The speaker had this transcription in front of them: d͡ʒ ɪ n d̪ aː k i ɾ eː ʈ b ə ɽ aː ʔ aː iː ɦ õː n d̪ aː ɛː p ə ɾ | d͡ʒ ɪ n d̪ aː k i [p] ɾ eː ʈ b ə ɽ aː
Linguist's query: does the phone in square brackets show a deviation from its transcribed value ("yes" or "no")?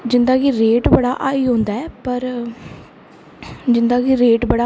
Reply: yes